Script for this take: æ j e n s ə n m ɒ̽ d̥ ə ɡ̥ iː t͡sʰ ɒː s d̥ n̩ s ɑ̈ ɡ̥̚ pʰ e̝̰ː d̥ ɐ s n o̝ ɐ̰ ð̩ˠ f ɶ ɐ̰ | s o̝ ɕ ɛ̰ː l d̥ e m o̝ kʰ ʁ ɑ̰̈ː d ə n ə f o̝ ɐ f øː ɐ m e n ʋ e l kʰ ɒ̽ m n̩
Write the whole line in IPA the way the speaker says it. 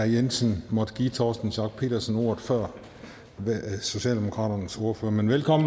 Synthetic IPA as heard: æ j e n s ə n m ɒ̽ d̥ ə ɡ̥ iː t͡sʰ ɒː s d̥ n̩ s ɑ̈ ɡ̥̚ pʰ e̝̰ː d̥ ɐ s n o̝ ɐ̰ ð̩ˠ f ɶ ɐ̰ | s o̝ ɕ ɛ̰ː l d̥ e m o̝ kʰ ʁ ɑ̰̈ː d ɐ n ə s o̝ ɐ f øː ɐ m e n ʋ e l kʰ ɒ̽ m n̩

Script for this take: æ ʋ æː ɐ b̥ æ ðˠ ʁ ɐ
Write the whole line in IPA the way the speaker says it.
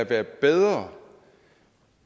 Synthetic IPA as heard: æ ʋ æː ɐ b̥ e ðˠ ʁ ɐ

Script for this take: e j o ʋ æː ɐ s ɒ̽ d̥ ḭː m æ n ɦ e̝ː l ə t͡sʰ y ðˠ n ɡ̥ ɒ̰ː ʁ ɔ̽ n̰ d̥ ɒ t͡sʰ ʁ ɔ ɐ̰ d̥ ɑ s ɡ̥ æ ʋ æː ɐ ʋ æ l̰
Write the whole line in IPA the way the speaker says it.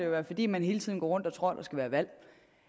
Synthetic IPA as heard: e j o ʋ æː ɐ f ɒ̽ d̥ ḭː m æ n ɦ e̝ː l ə t͡sʰ i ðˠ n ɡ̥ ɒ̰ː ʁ ɔ̽ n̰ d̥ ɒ t͡sʰ ʁ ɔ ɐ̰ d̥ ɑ s ɡ̥ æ ʋ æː ɐ ʋ æ l̰

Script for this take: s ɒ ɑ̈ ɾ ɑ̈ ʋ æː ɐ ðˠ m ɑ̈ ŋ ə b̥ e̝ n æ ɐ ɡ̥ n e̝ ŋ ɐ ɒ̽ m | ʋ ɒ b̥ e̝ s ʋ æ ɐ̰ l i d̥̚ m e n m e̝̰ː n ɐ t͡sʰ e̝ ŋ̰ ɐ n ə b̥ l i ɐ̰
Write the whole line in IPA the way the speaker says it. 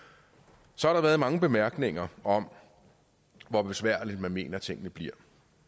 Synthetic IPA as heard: s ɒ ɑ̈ ɾ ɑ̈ ʋ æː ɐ ðˠ m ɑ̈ ŋ ə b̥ e̝ m æ ɐ ɡ̥ n e̝ ŋ ɐ ɒ̽ m | ʋ ɒ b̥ e̝ s ʋ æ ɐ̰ l i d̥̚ m æ n m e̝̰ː n ɐ t͡sʰ e̝ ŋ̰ ə n ə b̥ l i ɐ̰

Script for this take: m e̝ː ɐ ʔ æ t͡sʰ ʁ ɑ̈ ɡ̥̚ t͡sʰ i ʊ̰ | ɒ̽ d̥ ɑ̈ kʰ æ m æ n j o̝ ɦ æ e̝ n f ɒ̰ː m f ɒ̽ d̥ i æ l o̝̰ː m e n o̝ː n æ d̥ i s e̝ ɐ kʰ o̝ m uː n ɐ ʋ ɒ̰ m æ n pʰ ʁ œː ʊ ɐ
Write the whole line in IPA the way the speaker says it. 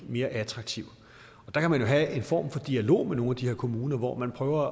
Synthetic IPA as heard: m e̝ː ɐ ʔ æ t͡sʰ ʁ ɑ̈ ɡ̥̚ t͡sʰ i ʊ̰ | ɒ̽ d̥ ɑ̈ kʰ æ m æ n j o̝ ɦ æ e̝ n f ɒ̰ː m f ɒ̽ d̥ i æ l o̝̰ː m e n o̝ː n æ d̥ i h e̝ ɐ kʰ o̝ m uː n ɐ ʋ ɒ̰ m æ n pʰ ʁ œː ʊ ɐ

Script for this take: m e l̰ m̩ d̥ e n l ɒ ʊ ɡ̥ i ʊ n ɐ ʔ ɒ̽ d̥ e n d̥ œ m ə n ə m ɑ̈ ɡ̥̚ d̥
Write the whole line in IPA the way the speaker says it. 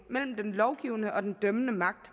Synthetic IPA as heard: m e l̰ m̩ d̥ e n l ɒ ʊ ɡ̥ i ʊ n ə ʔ ɒ̽ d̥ e n d̥ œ m ə n ə m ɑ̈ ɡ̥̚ d̥

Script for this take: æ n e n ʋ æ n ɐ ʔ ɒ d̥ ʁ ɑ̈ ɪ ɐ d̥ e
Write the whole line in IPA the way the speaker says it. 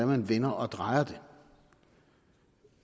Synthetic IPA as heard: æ m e n ʋ e n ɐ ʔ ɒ d̥ ʁ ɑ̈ ɪ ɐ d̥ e

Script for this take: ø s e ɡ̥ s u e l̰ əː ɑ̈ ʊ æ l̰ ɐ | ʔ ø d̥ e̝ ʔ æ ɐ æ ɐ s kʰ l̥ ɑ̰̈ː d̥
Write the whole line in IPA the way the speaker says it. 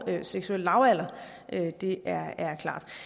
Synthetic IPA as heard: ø s e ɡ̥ s u e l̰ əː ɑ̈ ʊ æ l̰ ɐ | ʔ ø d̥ e̝ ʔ æ ɐ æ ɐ kʰ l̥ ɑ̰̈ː d̥

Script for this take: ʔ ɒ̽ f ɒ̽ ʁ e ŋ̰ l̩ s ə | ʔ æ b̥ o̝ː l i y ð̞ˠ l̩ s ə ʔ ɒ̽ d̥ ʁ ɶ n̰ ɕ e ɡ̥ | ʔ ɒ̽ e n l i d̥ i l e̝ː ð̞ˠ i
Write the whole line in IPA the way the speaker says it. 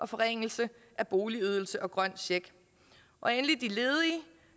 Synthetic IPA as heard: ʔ ɒ̽ f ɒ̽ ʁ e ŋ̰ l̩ s ə | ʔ æ b̥ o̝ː l i y ð̞ˠ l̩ s ə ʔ ɒ̽ ɡ̥ ʁ ɶ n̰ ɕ e ɡ̥ | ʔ ɒ̽ e n l i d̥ i l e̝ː ð̞ˠ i

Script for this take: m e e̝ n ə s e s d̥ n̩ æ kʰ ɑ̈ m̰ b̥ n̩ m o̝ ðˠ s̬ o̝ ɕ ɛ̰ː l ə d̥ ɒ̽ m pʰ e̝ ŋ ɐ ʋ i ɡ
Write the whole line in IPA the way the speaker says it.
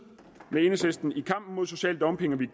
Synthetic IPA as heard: m e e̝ n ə s e s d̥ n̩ i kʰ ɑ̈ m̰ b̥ n̩ m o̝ ðˠ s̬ o̝ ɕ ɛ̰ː l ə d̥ ɒ̽ m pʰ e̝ ŋ ɐ ʋ i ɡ

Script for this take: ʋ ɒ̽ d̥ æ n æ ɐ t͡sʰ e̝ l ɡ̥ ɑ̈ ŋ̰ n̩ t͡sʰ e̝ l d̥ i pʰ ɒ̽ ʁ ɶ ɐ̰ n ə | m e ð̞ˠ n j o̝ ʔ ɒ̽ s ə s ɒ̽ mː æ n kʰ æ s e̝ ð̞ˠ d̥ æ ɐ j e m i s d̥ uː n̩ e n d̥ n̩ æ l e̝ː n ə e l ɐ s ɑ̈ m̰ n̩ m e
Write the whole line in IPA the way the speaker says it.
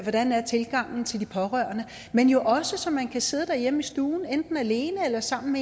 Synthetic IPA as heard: ʋ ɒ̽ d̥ æ n æ ɐ t͡sʰ e̝ l ɡ̥ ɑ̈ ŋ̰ n̩ t͡sʰ e̝ l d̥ i pʰ ɒ̽ ʁ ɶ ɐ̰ n ə | m e n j o̝ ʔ ɒ̽ s ə s ɒ̽ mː æ n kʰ æ s e̝ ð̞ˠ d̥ æ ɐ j e m i s d̥ uː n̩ e n d̥ n̩ æ l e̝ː n ə e l ɐ s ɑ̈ m̰ n̩ m e

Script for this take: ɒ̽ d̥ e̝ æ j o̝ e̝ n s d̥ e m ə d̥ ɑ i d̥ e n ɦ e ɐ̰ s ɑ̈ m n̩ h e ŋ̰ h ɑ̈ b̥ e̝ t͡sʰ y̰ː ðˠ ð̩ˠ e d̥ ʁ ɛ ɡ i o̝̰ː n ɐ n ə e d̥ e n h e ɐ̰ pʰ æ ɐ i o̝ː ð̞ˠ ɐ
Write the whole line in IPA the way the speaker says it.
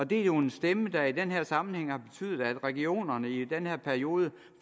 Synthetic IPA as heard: ɒ̽ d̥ e̝ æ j o̝ e̝ n s d̥ e m ə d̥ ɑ i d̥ e n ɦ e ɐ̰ s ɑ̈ m n̩ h e ŋ̰ h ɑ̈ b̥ e̝ t͡sʰ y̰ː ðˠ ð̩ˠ æ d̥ ʁ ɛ ɡ i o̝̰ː n ɐ n ə i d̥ e n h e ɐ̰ pʰ æ ɐ i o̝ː ð̞ˠ ə

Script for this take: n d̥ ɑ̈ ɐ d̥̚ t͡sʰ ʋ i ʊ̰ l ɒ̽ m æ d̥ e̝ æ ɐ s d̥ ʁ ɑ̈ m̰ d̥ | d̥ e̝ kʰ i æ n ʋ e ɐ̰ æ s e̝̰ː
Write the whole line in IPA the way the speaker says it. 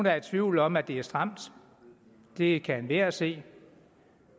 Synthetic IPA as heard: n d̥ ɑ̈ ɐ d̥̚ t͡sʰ ʋ i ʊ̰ l ɒ̽ m æ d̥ e̝ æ ɐ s d̥ ʁ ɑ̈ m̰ d̥ | d̥ e̝ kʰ æ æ n ʋ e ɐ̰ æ s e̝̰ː

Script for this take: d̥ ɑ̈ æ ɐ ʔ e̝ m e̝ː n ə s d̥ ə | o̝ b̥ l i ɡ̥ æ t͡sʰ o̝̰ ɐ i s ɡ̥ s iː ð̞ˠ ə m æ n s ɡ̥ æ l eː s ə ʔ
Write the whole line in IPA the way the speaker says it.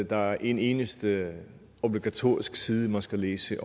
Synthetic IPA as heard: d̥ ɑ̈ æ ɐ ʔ e̝ n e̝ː n ə s d̥ ə | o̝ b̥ l i ɡ̥ æ t͡sʰ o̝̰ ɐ i s ɡ̥ s iː ð̞ˠ ə m æ n s ɡ̥ æ l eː s ə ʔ

